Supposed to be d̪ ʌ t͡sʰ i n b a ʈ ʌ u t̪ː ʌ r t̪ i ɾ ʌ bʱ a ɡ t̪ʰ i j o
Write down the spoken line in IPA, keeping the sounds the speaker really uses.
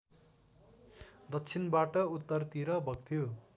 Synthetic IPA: d̪ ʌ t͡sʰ i n b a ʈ ʌ u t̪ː ʌ r t̪ i ɾ ʌ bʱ ʌ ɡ t̪ʰ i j o